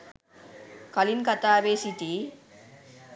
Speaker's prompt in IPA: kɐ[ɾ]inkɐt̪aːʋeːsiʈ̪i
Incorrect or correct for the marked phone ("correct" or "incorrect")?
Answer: incorrect